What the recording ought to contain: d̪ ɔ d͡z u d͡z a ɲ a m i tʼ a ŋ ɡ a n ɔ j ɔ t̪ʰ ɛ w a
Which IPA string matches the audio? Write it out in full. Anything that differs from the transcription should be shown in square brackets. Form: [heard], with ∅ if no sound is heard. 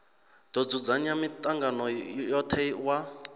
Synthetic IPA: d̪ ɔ d͡z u d͡z a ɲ a m i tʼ a ŋ ɡ a n ɔ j ɔ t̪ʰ ɛ w a